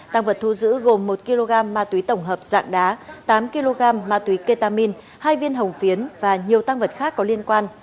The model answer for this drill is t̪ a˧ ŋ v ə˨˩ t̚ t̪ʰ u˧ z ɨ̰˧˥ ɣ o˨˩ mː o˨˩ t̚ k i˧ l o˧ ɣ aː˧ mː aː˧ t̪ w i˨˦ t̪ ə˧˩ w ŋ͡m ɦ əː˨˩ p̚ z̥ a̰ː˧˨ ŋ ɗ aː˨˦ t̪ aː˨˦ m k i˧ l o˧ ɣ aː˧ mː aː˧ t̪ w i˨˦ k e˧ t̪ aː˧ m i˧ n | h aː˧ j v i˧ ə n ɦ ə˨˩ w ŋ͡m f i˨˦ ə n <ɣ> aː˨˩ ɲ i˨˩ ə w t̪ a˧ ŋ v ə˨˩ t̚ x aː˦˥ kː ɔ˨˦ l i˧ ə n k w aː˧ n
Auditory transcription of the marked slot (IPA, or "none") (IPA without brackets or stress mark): v